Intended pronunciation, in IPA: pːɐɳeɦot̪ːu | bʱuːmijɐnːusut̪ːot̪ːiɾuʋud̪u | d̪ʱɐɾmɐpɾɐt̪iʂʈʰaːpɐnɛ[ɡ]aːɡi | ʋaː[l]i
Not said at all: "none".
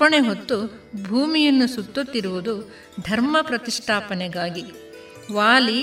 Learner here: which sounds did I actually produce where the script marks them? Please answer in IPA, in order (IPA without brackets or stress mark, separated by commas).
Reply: ɡ, l